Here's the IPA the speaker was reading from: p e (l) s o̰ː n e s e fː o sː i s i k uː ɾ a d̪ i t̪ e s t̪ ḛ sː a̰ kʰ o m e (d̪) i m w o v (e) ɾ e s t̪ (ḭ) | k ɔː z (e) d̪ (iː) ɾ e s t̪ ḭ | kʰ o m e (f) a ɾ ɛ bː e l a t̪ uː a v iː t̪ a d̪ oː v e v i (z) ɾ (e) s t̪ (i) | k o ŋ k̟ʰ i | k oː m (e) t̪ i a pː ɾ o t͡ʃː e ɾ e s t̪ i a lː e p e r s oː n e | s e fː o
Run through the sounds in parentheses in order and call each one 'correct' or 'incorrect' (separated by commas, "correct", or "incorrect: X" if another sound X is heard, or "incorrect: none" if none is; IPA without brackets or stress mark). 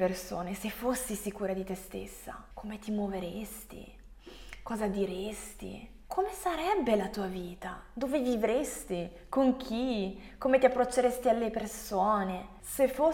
incorrect: r, incorrect: t̪, correct, correct, incorrect: a, incorrect: i, incorrect: s, incorrect: v, correct, correct, correct